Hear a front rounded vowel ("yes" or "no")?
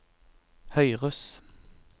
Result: yes